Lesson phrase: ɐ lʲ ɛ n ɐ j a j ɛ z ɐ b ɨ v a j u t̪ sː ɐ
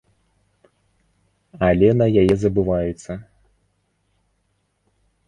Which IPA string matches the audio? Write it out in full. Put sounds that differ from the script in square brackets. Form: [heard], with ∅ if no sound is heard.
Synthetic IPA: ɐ lʲ ɛ n ɐ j a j ɛ z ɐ b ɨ v a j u t̪ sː ɐ